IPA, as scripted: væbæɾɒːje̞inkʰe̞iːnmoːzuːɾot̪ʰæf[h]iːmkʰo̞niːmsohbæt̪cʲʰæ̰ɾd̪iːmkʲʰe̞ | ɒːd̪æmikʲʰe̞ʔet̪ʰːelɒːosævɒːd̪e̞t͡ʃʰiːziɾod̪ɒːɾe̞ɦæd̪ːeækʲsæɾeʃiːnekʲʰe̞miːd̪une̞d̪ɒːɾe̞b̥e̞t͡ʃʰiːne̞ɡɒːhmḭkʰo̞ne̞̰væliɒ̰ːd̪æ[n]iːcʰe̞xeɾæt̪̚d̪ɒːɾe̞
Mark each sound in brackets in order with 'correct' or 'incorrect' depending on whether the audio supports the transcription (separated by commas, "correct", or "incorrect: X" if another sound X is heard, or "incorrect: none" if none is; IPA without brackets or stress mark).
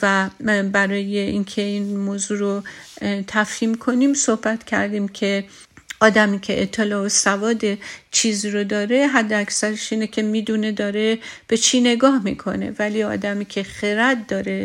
correct, incorrect: m